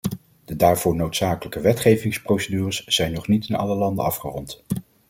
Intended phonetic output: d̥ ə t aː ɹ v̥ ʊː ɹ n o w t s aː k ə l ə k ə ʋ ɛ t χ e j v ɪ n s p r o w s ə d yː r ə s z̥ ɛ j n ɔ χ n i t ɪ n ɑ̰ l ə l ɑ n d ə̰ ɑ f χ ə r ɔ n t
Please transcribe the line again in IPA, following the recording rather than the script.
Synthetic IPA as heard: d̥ ə d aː ɹ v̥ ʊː ɹ n o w t s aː k ə l ə k ə ʋ ɛ t χ e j v ɪ ŋ s p r o w s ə d yː r ə s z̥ ɛ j n ɔ χ n i t ɪ n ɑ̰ l ə l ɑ n d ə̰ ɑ f χ ə r ɔ n t